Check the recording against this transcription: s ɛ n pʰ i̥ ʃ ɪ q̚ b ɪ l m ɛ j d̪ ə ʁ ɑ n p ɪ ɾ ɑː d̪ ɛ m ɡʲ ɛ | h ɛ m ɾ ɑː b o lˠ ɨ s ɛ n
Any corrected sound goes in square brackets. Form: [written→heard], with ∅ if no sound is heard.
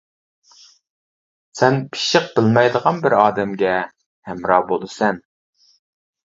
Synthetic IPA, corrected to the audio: s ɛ n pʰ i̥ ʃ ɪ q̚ b ɪ l m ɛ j d̪ ə ʁ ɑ n [p→b] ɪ ɾ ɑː d̪ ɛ m ɡʲ ɛ | h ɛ m ɾ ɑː b o lˠ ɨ s ɛ n